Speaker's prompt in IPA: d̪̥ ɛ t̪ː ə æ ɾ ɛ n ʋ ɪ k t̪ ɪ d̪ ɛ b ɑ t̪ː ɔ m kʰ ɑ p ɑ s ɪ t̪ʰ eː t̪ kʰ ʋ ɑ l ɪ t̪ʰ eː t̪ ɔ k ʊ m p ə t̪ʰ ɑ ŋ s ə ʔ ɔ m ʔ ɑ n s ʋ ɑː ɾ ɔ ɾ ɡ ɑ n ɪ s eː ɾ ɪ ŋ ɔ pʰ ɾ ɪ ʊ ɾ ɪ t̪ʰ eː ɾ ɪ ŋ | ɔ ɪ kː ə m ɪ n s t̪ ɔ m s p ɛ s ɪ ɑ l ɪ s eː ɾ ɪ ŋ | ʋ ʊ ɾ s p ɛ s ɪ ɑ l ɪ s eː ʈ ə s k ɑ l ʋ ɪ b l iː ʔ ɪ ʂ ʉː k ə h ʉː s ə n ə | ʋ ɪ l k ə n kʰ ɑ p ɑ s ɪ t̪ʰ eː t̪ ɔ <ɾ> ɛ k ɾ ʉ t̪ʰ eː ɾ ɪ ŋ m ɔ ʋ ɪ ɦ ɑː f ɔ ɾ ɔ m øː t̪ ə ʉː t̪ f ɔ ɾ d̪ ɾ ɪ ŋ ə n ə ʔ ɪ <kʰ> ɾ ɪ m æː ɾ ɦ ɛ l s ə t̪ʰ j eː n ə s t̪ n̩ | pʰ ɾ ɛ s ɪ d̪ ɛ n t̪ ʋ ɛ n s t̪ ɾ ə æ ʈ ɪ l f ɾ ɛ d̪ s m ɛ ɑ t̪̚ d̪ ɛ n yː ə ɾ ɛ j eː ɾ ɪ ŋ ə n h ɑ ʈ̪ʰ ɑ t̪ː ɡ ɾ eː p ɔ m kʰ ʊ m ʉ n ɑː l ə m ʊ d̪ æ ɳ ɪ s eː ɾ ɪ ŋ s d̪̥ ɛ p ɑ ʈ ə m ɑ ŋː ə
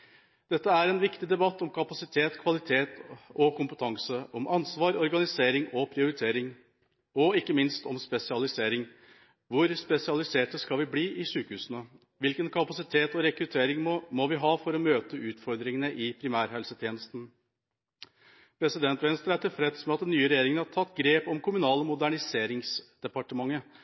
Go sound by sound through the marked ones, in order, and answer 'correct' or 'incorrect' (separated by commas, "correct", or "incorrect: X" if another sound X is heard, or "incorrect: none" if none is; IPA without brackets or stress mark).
correct, incorrect: pʰ